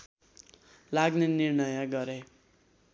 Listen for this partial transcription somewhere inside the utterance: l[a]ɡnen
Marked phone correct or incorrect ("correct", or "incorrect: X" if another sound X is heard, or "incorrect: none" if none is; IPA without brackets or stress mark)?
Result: correct